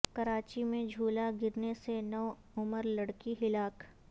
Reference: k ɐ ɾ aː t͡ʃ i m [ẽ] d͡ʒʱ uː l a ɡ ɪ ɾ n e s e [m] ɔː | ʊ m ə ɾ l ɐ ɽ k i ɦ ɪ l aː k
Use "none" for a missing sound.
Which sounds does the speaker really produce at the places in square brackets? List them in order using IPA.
ẽ, n

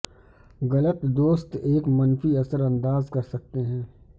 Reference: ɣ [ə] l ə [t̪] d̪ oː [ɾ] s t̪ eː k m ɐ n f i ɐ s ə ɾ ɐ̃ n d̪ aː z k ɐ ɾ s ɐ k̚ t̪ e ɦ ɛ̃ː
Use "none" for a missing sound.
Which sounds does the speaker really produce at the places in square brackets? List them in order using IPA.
ɐ, t̪, none

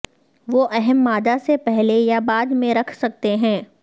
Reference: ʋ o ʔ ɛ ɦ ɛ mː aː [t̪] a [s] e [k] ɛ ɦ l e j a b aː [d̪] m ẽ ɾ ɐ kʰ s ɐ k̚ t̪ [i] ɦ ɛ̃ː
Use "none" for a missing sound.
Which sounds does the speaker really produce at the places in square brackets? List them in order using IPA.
d̪, s, p, d̪, e

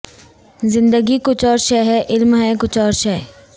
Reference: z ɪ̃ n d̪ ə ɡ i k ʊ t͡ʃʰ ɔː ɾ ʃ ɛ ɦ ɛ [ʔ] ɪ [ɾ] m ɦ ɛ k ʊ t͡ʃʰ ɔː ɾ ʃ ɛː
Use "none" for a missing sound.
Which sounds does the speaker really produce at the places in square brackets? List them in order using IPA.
ʔ, l

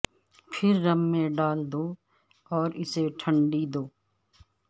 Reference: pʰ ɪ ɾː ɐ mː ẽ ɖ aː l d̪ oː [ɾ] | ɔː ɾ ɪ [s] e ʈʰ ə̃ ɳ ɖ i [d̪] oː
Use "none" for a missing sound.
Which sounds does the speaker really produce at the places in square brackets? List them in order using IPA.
none, s, d̪

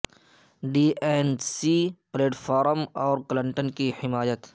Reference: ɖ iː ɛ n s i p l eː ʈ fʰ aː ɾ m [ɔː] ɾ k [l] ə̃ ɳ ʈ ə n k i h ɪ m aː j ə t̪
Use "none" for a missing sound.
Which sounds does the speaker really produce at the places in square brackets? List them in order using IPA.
ɔː, l

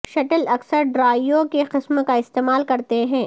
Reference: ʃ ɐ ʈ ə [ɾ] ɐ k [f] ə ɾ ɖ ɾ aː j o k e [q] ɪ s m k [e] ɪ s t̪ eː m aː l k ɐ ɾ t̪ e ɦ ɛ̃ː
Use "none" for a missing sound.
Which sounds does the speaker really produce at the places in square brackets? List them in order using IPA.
l, s, q, a

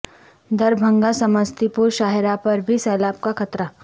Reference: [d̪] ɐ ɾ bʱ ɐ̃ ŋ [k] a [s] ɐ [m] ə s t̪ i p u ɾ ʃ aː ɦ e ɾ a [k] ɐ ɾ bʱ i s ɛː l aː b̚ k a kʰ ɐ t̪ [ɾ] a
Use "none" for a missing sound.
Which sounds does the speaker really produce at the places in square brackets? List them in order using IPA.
d̪, ɡ, s, m, p, ɾ

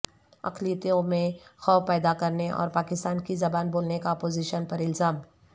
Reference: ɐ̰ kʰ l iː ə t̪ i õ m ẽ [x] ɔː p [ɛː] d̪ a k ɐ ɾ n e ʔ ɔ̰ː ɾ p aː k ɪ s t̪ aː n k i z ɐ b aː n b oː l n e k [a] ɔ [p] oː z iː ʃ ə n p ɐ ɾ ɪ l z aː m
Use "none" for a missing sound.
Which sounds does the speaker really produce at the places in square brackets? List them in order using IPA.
x, ɛː, a, p

